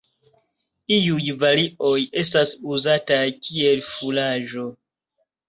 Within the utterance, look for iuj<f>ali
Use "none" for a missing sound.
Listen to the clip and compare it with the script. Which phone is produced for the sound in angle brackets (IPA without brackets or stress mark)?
v